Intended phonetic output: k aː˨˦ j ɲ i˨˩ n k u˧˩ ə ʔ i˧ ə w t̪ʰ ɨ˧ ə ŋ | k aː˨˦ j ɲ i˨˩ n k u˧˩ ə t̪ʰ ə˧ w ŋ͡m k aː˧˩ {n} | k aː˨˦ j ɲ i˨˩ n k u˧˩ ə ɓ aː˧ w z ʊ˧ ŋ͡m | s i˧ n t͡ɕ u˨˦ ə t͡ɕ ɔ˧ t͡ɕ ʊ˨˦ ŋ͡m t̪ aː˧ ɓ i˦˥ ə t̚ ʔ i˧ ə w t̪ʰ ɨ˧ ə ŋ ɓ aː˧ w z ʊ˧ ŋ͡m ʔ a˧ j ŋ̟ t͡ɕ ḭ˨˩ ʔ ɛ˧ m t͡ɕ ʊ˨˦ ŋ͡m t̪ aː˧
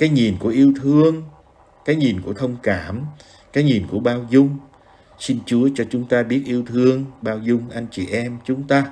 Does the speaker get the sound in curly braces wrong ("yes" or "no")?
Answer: yes